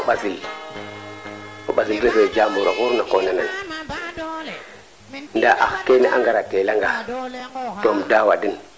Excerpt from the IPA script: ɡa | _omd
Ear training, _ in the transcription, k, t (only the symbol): t